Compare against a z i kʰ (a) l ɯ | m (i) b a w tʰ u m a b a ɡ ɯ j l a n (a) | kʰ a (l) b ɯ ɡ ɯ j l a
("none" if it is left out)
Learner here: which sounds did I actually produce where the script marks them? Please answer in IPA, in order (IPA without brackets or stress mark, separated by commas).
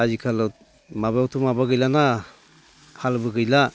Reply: a, a, a, l